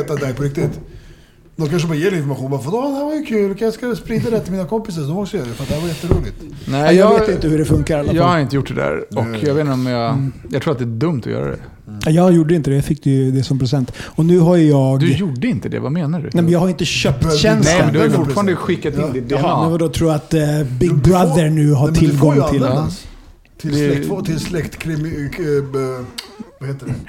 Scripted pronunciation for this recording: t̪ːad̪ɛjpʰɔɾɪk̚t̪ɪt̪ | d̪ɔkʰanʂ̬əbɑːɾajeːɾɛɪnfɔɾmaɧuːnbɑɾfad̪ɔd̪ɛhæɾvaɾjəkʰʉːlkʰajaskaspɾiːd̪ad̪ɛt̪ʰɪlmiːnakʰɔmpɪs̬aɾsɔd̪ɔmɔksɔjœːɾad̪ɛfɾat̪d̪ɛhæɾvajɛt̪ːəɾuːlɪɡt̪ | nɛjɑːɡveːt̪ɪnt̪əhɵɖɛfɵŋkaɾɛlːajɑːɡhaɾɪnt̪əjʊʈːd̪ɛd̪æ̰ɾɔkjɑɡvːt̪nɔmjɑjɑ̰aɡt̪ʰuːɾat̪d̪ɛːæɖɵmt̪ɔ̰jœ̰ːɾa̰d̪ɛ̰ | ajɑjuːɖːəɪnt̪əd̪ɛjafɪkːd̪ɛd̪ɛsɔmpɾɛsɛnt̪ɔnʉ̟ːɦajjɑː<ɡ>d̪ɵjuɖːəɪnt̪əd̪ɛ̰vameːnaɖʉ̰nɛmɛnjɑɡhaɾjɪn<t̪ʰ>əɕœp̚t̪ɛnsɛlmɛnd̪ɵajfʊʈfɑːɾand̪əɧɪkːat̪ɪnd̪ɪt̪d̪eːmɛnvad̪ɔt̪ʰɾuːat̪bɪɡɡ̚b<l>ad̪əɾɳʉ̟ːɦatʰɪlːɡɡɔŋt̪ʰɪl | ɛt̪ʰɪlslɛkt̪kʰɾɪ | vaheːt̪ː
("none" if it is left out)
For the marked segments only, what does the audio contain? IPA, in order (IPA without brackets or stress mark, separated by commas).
ɡ, t̪, ɾ